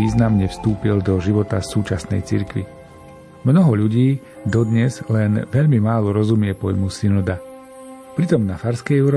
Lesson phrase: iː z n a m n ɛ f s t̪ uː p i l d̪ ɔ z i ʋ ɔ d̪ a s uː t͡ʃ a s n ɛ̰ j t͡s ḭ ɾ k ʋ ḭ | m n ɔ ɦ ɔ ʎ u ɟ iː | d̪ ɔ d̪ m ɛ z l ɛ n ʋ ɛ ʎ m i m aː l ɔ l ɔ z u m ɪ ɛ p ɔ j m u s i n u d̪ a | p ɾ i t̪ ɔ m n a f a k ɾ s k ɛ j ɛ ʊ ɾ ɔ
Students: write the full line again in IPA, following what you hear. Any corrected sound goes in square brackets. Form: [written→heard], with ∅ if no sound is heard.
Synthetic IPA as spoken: iː z n a m [n→ɲ] ɛ f s t̪ uː p i l d̪ ɔ [z→ʒ] i ʋ ɔ [d̪→t̪] a s uː t͡ʃ a s n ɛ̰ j t͡s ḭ ɾ k ʋ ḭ | m n ɔ ɦ ɔ ʎ u ɟ iː | d̪ ɔ d̪ [m→ɲ] ɛ z l ɛ n ʋ ɛ ʎ m i m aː l ɔ [l→ɾ] ɔ z u m ɪ ɛ p ɔ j m u s i n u d̪ a | p ɾ i t̪ ɔ m n a f a [k→∅] ɾ s k ɛ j ɛ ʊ ɾ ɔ